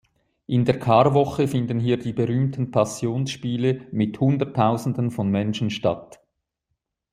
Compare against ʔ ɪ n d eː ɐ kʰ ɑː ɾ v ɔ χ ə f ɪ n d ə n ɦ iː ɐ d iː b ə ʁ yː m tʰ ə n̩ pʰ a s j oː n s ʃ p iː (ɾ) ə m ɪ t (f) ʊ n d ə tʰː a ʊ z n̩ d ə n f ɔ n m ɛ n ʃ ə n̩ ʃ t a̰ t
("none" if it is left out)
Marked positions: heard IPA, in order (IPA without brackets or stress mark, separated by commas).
l, h